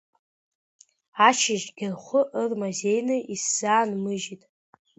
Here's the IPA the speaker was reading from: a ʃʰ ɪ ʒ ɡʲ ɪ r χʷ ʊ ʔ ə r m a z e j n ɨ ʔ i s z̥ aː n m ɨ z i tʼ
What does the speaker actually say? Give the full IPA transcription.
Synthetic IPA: a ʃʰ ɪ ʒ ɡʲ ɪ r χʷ ʊ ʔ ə r m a z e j n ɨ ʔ i s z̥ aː n m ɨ ʒ i tʼ

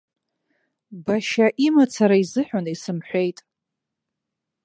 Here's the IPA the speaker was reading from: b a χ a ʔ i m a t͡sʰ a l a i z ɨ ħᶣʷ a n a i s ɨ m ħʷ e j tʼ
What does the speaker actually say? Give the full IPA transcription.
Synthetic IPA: b a ʃ a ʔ i m a t͡sʰ a ɾ a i z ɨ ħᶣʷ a n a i s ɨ m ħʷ e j tʼ

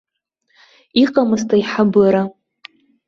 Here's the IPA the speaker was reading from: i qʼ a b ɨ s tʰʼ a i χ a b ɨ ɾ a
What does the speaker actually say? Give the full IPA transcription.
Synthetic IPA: i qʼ a m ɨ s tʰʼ a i ħ a b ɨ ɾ a

